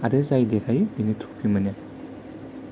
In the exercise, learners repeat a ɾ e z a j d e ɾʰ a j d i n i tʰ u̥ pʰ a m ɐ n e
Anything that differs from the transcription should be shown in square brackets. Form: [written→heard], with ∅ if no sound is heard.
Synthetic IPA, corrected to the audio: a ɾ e z a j d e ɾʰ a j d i n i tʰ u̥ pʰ [a→i] m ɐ n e